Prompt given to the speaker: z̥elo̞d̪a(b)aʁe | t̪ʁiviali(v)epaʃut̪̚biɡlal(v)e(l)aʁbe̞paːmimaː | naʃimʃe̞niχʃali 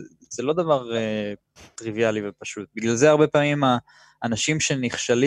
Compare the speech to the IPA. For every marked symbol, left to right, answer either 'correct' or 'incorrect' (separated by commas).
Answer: incorrect, correct, incorrect, incorrect